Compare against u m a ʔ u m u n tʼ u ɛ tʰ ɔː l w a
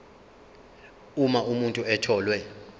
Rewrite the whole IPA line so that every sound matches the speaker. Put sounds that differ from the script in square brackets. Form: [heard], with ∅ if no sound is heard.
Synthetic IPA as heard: u m a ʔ u m u n tʼ u ɛ tʰ ɔː l w [ɛ]

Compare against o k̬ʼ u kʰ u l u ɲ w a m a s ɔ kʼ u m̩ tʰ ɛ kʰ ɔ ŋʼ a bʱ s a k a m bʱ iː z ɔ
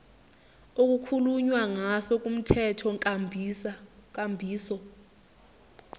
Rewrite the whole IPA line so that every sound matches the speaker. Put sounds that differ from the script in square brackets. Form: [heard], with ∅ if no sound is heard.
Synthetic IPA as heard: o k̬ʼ u kʰ u l u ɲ w a [ŋ] a s ɔ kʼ u m̩ tʰ ɛ [tʰ] ɔ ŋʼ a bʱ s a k a m bʱ iː [s] ɔ

